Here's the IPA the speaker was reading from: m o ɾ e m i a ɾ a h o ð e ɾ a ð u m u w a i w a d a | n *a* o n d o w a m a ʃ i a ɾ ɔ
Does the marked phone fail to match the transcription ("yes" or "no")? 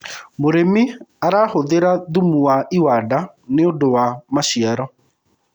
yes